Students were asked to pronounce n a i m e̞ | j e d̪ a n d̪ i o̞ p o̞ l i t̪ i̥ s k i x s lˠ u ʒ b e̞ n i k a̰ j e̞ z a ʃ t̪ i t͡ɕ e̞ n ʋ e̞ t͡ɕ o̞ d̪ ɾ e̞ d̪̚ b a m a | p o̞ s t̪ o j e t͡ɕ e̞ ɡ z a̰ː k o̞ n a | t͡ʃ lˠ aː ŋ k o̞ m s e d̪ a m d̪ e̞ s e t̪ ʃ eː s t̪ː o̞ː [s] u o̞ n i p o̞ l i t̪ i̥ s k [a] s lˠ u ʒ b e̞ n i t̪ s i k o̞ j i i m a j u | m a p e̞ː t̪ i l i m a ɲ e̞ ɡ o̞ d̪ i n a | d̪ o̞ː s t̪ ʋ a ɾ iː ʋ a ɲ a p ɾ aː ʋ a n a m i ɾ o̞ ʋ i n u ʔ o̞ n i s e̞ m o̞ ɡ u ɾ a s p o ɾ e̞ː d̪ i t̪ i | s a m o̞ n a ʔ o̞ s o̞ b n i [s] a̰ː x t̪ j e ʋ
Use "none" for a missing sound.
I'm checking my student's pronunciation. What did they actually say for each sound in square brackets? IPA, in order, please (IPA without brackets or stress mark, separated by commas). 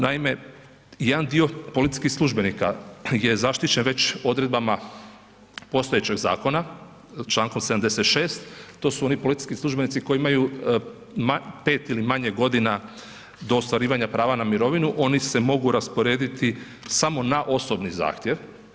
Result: s, i, z